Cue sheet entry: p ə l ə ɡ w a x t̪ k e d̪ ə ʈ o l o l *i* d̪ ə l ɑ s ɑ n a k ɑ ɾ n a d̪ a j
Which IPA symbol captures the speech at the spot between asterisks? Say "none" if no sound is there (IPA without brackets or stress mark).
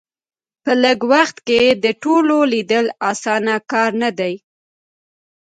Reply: i